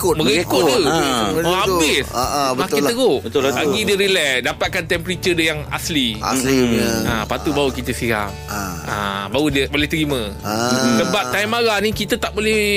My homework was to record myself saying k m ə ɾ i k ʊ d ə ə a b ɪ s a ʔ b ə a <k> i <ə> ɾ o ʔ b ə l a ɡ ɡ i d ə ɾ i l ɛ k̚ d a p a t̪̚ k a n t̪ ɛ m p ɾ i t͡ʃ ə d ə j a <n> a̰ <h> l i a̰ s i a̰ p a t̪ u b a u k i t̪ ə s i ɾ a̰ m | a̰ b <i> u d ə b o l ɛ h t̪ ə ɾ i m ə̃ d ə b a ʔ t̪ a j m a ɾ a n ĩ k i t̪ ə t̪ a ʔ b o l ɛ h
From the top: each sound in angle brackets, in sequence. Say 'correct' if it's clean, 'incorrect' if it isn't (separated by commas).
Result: correct, correct, incorrect, incorrect, incorrect